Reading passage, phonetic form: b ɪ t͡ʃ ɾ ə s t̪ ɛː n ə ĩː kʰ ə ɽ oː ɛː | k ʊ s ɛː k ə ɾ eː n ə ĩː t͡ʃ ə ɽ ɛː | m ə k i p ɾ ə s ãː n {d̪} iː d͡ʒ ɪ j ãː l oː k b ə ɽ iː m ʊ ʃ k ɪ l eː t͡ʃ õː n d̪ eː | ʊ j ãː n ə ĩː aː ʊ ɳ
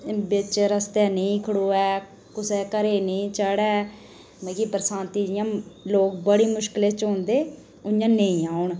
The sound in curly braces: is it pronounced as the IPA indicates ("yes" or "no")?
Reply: no